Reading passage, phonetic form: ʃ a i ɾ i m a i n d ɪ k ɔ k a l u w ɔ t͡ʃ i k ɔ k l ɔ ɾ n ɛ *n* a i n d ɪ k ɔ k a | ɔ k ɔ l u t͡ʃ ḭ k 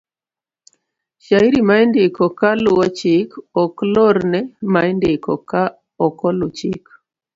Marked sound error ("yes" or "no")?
yes